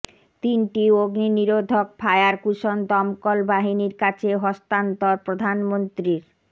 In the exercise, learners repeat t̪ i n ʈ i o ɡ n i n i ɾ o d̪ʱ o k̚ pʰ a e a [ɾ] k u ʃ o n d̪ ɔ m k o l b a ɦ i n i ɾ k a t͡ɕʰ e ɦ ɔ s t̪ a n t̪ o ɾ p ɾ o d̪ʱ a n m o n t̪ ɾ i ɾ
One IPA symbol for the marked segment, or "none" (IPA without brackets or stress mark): ɾ